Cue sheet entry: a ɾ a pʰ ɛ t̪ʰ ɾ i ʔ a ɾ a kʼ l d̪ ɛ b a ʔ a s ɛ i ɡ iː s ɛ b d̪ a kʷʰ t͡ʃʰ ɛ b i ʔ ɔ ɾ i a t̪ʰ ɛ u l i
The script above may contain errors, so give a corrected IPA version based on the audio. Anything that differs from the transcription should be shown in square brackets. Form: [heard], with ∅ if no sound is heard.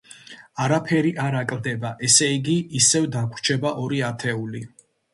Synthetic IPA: a ɾ a pʰ ɛ [∅] ɾ i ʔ a ɾ a kʼ l d̪ ɛ b a ʔ [ɛ] s ɛ i ɡ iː s ɛ [v] d̪ a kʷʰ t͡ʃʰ ɛ b [a] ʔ ɔ ɾ i a t̪ʰ ɛ u l i